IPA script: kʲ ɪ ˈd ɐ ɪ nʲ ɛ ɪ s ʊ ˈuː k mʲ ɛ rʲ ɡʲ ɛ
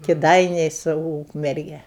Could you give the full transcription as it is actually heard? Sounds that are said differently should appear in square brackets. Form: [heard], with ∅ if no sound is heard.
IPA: kʲ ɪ ˈd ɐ ɪ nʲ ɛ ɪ s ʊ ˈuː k mʲ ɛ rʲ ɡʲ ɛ